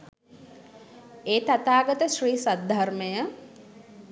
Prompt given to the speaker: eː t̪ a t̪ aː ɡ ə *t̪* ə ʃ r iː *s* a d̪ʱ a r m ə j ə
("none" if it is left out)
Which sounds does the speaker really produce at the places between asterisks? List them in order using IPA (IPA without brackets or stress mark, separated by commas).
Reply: t̪, s